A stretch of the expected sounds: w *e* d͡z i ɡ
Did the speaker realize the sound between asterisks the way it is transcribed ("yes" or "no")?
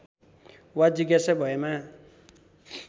no